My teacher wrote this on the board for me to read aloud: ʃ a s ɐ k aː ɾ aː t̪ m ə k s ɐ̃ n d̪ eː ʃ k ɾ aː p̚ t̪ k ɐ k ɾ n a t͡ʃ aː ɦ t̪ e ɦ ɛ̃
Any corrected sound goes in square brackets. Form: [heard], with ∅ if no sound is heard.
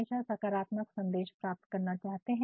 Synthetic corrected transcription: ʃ a s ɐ k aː ɾ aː t̪ m ə k s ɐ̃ n d̪ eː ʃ [p] ɾ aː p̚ t̪ k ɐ [∅] ɾ n a t͡ʃ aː ɦ t̪ e ɦ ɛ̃